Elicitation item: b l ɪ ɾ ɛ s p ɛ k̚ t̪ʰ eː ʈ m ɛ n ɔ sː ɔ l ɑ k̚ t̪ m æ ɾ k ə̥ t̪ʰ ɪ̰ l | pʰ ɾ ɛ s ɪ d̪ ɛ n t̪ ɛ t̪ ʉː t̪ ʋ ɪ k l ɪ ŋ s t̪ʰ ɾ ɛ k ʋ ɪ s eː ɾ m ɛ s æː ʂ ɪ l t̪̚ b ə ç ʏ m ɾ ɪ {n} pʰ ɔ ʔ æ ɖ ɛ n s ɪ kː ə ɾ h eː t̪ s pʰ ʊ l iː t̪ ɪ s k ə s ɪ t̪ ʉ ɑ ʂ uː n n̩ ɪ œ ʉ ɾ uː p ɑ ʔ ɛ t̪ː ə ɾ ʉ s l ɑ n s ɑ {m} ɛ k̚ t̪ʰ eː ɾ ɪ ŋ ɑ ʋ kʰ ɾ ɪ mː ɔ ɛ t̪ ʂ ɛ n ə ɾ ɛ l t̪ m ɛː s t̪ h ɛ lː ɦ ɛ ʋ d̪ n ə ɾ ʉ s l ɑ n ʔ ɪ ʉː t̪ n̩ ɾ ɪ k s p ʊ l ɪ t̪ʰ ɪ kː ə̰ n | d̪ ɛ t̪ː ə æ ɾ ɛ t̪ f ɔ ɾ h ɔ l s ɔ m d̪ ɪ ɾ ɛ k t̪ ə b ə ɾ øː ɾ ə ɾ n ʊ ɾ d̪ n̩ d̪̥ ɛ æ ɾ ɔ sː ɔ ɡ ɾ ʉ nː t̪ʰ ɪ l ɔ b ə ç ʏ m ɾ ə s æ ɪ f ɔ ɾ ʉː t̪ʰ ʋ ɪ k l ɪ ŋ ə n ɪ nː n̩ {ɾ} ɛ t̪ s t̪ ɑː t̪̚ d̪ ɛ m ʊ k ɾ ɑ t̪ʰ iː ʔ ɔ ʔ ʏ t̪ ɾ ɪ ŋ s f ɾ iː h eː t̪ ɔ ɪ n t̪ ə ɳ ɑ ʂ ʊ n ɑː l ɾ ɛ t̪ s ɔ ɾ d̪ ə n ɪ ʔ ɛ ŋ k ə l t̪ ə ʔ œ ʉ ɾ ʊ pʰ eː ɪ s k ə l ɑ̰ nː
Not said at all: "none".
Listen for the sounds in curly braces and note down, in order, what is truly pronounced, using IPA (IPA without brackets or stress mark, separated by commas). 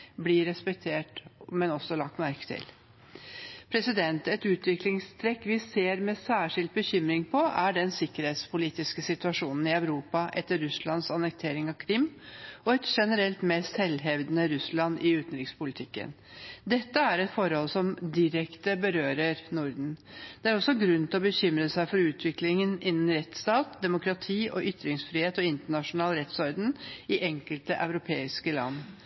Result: ŋ, n, ɾ